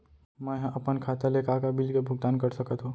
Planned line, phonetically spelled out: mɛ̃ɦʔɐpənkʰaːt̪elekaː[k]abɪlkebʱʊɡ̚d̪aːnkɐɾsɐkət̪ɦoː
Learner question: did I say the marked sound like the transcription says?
yes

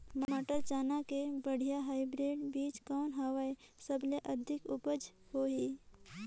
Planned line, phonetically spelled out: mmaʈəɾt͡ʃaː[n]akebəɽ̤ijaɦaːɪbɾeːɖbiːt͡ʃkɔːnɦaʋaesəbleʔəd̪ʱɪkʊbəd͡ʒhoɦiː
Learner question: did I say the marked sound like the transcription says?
yes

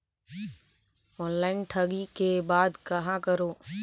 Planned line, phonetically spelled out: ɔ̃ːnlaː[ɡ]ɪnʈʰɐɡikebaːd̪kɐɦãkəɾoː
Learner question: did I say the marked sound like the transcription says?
no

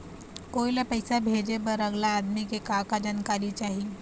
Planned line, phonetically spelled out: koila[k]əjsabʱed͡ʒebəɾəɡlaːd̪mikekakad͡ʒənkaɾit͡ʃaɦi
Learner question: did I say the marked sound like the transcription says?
no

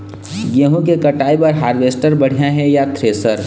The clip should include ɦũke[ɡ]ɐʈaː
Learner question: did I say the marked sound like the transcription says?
no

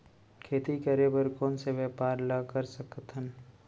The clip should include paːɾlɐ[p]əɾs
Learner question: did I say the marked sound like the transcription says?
no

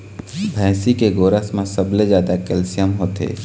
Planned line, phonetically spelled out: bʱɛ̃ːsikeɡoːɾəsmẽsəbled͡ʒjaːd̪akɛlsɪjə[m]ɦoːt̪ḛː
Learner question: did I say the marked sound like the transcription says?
yes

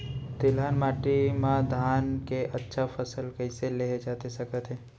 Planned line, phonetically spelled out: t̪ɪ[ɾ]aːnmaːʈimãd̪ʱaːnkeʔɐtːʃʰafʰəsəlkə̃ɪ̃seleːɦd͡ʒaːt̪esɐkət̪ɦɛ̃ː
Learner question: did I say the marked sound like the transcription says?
no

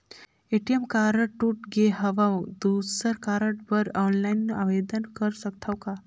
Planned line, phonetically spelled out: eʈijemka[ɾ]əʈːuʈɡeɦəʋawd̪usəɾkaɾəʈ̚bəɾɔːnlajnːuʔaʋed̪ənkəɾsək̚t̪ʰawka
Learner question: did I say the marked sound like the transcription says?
yes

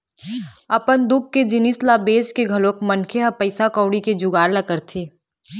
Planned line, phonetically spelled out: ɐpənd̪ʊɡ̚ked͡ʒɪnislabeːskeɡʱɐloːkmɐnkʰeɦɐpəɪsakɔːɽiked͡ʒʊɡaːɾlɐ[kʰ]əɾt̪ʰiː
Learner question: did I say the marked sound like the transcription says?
no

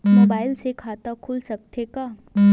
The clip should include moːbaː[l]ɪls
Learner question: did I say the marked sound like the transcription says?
no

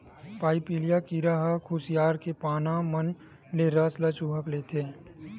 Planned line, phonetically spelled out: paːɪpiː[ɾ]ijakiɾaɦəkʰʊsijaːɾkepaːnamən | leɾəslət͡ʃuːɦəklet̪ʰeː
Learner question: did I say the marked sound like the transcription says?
no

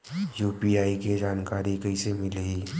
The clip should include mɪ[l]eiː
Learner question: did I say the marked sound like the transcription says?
yes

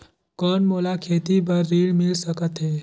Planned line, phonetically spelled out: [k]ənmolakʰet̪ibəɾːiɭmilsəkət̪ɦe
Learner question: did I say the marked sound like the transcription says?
yes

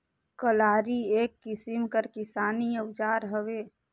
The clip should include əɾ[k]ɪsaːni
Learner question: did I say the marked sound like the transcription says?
yes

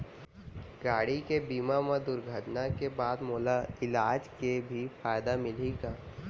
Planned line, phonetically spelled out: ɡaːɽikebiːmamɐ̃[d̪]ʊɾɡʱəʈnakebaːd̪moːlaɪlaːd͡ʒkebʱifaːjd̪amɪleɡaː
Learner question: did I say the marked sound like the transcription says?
yes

